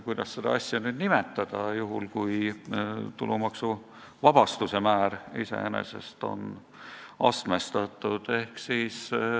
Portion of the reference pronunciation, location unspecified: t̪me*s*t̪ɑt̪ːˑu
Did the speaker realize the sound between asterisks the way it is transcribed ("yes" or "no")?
yes